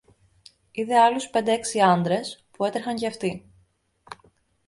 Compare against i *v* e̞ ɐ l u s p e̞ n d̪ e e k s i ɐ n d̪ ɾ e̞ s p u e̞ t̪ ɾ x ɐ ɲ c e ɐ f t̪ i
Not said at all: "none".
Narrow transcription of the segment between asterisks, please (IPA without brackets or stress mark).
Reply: ð